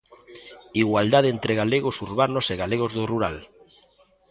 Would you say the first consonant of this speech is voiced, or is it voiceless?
voiced